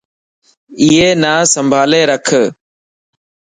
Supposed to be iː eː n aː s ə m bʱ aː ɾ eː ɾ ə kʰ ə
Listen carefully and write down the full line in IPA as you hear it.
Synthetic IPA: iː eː n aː s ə m bʱ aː l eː ɾ ə kʰ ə